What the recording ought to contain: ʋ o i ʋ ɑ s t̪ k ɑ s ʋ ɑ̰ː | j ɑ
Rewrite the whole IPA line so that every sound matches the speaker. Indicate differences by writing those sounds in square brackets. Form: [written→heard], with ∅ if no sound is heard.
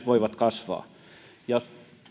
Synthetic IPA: ʋ o i ʋ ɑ [s→∅] t̪ k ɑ s ʋ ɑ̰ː | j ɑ